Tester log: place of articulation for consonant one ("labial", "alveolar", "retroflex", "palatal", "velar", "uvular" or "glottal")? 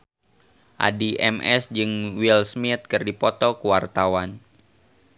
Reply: glottal